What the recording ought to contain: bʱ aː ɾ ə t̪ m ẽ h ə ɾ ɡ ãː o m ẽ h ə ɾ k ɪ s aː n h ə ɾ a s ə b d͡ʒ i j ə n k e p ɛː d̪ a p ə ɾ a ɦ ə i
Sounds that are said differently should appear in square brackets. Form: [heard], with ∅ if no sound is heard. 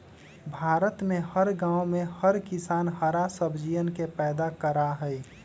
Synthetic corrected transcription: bʱ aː ɾ ə t̪ m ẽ h ə ɾ ɡ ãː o m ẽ h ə ɾ k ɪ s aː n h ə ɾ a s ə b d͡ʒ i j ə n k e p ɛː d̪ a [k] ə ɾ a ɦ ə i